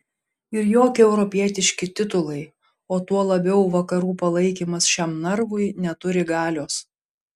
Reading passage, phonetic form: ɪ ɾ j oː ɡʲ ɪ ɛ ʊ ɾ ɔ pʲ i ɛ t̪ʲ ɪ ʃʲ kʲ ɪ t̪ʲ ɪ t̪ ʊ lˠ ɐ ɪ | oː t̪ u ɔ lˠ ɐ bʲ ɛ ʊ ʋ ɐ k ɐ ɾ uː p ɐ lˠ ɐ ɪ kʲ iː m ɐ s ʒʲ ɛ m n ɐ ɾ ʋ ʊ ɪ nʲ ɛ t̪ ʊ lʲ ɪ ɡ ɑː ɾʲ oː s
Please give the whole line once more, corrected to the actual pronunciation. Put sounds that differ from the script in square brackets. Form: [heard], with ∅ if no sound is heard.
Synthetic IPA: ɪ ɾ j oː [kʲ] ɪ ɛ ʊ ɾ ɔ pʲ i ɛ t̪ʲ ɪ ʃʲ kʲ ɪ t̪ʲ ɪ t̪ ʊ lˠ ɐ ɪ | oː t̪ u ɔ lˠ ɐ bʲ ɛ ʊ ʋ ɐ k ɐ ɾ uː p ɐ lˠ ɐ ɪ kʲ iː m ɐ s [ʃʲ] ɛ m n ɐ ɾ ʋ ʊ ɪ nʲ ɛ t̪ ʊ [ɾʲ] ɪ ɡ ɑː [lʲ] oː s